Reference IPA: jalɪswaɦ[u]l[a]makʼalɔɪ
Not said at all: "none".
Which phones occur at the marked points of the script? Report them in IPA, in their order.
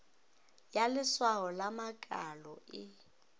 ɔ, a

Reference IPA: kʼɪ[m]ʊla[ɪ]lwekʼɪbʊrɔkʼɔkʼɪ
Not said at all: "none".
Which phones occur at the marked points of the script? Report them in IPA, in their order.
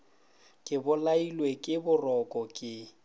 b, i

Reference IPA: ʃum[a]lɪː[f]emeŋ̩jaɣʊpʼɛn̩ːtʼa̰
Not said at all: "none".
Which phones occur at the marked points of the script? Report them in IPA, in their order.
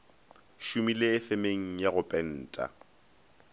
i, f

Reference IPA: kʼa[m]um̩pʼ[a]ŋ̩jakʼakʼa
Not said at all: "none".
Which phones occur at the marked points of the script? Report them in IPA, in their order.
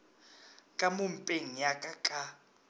m, e

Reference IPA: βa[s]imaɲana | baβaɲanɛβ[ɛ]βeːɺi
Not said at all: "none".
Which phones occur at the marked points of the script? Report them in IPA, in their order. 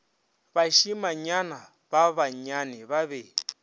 ʃ, a

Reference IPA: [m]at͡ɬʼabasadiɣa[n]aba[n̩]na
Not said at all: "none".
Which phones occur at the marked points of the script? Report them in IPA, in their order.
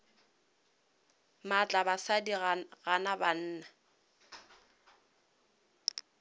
m, n, n̩ː

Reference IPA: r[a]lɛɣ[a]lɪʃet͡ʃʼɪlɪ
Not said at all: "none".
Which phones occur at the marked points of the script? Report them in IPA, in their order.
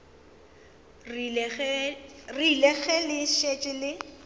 i, ɛ

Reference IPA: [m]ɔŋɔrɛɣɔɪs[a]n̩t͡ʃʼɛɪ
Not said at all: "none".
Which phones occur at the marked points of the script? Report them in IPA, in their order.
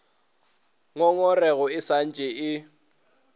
ŋ, a

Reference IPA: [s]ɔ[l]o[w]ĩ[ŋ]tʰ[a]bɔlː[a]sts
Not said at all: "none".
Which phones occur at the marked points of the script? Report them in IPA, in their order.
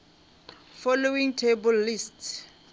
f, l, w, ŋ, e, i

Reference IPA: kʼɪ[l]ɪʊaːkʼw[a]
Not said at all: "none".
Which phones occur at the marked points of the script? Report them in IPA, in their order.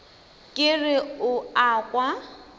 r, a

